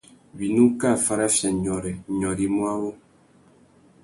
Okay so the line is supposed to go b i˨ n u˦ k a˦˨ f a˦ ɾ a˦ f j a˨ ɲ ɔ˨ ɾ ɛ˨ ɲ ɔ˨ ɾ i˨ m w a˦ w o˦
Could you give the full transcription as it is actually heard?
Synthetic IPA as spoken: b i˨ n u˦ k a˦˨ f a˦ ɾ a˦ f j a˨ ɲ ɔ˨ ɾ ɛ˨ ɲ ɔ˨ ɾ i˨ m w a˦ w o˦